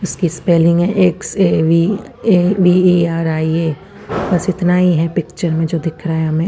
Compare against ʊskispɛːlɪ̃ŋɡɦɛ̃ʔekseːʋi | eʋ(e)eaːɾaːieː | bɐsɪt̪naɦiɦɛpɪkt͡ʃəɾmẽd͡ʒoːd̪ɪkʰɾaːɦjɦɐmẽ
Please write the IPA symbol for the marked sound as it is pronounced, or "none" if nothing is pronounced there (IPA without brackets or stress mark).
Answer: i